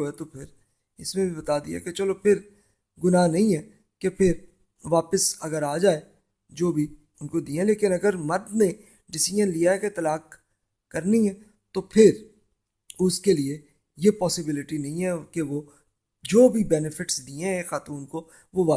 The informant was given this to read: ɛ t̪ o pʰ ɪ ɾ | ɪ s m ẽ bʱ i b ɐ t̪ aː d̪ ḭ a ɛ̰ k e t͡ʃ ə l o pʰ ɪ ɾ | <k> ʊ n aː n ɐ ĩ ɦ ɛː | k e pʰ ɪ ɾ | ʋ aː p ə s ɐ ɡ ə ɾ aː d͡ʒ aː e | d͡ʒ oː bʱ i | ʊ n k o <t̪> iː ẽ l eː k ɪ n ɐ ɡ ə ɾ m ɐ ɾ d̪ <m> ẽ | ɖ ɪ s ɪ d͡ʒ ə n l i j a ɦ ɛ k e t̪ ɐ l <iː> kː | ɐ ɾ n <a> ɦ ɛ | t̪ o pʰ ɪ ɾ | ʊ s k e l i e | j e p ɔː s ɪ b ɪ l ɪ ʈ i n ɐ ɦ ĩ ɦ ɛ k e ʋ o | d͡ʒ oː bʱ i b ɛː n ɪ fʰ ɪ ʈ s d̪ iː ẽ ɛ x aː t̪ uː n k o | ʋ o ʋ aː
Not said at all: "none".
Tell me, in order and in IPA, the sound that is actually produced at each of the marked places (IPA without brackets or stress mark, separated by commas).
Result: ɡ, d̪, n, aː, i